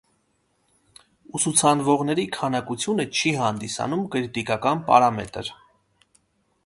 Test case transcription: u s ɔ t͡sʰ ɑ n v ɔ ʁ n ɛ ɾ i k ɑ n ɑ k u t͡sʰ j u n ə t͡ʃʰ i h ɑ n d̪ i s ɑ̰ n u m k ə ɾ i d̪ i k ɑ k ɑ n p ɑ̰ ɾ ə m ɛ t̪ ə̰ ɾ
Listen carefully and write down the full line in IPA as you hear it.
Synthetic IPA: u s u t͡sʰ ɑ n v ɔ ʁ n ɛ ɾ i kʰ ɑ n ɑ k u t͡sʰ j u n ə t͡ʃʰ i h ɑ n d̪ i s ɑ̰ n u m k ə ɾ i t̪ i k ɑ k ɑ n p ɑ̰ ɾ ɑ m ɛ t̪ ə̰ ɾ